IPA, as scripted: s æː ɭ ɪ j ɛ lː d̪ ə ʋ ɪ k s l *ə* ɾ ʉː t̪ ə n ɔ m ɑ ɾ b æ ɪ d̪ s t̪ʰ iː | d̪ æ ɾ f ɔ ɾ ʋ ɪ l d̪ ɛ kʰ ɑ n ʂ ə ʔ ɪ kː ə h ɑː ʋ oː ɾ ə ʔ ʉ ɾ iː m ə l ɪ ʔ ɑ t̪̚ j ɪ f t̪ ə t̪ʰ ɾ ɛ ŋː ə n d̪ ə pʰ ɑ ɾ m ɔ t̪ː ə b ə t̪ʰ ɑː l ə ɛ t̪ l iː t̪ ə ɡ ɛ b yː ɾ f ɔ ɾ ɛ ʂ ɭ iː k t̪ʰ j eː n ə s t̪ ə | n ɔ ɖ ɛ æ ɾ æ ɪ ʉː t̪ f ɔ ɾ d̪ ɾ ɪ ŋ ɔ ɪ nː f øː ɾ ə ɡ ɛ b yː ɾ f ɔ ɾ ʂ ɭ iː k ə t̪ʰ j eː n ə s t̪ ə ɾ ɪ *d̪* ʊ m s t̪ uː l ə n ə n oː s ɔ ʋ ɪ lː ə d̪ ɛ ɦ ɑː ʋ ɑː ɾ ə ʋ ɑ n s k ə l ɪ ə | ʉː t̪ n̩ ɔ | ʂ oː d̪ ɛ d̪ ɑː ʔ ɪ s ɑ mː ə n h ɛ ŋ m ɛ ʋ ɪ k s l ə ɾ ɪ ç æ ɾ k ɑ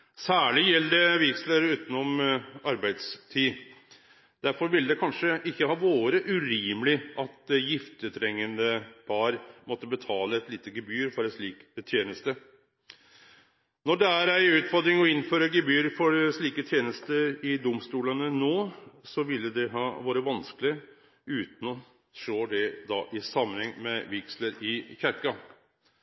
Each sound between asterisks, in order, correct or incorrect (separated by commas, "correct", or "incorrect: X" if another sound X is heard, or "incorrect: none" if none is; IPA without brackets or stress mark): correct, correct